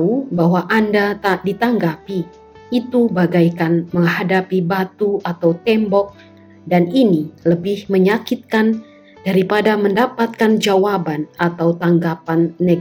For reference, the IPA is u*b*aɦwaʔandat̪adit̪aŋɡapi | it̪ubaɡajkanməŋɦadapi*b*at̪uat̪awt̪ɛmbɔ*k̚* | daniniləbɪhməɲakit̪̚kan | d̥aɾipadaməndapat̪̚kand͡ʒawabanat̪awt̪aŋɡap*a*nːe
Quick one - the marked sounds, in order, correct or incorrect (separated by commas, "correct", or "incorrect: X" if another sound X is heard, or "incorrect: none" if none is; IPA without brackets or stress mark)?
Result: correct, correct, correct, correct